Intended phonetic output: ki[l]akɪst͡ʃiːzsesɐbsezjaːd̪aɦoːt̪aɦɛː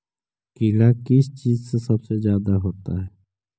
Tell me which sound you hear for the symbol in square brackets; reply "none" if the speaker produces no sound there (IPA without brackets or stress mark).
l